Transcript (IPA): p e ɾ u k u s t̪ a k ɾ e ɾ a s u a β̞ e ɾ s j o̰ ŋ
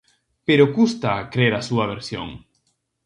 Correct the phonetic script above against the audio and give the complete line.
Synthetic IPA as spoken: p e ɾ o k u s t̪ a k ɾ e ɾ a s u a β̞ e ɾ s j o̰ ŋ